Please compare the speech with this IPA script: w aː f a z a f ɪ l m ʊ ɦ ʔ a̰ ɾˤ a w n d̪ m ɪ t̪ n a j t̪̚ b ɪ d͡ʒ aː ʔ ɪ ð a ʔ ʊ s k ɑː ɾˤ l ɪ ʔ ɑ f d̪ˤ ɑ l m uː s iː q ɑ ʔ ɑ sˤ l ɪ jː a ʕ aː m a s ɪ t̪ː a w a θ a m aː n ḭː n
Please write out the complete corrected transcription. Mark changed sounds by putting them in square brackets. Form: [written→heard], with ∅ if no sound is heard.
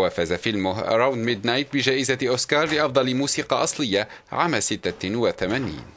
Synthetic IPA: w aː f a z a f ɪ l m ʊ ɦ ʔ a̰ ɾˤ a w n d̪ m ɪ [t̪→d̪] n a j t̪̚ b ɪ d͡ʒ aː ʔ ɪ [ð→z] a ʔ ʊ s k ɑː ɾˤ l ɪ ʔ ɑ f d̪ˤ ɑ l m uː s iː q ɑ ʔ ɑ sˤ l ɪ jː a ʕ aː m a s ɪ t̪ː a w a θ a m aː n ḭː n